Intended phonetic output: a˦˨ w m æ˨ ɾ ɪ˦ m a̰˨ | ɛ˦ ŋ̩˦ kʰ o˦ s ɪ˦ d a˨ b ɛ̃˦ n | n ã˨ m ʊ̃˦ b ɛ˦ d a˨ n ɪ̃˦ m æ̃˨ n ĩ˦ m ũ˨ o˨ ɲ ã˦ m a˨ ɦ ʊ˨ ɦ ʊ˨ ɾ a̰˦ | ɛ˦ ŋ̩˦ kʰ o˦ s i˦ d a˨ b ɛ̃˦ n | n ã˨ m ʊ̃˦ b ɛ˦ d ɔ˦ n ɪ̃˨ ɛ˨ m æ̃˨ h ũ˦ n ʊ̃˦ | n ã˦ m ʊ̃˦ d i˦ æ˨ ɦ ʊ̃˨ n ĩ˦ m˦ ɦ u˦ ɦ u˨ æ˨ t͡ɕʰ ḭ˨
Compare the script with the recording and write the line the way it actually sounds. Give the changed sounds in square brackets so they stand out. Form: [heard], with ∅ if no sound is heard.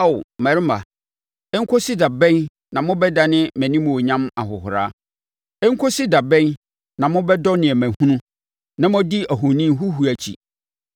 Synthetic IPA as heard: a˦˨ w m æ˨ ɾ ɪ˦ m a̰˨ | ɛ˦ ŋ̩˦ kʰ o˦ s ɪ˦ d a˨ b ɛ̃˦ n | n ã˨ m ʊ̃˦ b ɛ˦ d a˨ n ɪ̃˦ m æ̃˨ n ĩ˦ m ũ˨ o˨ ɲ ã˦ m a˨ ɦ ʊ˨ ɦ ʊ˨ ɾ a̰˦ | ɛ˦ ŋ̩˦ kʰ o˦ s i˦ d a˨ b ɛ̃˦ n | n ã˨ m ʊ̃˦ b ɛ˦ d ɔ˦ n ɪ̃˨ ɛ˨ m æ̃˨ h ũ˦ n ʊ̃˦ | n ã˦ m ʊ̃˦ d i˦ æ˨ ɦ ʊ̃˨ n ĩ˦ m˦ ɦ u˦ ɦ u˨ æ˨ t͡ɕʰ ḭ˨